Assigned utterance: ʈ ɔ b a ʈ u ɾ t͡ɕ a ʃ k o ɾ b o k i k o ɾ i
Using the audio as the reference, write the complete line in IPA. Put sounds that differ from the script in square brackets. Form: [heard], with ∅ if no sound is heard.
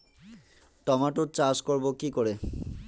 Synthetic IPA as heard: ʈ ɔ [m] a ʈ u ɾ t͡ɕ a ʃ k o ɾ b o k i k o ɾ [e]